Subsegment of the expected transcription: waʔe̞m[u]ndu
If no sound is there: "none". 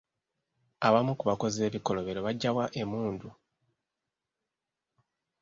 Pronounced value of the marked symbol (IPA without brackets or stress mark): uː